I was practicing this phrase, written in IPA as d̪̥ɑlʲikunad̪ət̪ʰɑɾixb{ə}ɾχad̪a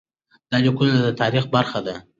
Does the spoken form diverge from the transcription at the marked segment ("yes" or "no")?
yes